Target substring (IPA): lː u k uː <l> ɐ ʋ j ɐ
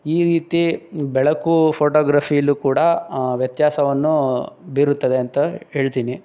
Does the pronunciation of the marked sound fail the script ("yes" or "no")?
yes